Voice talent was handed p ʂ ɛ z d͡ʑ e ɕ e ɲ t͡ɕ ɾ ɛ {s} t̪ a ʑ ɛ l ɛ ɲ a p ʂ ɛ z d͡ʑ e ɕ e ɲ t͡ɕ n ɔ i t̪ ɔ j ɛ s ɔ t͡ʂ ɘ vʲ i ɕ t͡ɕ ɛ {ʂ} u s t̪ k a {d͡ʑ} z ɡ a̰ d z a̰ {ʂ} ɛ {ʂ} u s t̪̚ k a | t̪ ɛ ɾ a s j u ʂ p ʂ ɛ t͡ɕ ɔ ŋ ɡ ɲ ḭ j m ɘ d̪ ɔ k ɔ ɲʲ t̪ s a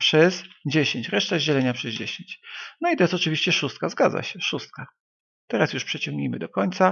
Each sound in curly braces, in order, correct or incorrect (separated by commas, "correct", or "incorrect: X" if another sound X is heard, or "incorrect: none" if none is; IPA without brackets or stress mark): incorrect: ʂ, correct, incorrect: none, incorrect: ɕ, correct